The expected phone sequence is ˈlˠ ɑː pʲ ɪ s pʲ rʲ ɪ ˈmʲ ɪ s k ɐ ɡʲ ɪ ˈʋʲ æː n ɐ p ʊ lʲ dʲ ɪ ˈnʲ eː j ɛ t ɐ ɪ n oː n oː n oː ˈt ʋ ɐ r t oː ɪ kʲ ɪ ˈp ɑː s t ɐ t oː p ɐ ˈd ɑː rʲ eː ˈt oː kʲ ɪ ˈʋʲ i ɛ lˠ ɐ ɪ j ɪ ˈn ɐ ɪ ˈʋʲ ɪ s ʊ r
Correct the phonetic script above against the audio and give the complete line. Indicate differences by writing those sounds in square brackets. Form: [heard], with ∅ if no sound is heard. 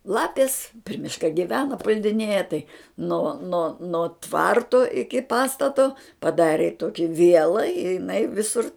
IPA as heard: ˈlˠ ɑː pʲ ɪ s pʲ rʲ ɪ ˈmʲ ɪ [ʃ] k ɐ ɡʲ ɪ ˈʋʲ æː n ɐ p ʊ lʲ dʲ ɪ ˈnʲ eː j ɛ t ɐ ɪ n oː n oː n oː ˈt ʋ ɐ r t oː ɪ kʲ ɪ ˈp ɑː s t ɐ t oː p ɐ ˈd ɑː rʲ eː ˈt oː kʲ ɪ ˈʋʲ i ɛ lˠ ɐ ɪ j ɪ ˈn ɐ ɪ ˈʋʲ ɪ s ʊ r